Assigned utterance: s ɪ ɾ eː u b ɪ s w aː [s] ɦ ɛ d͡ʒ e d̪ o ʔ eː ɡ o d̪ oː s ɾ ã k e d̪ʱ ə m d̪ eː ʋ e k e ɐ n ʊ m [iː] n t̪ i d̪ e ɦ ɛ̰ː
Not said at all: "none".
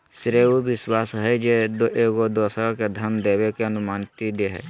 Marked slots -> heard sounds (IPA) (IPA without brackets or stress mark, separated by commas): s, aː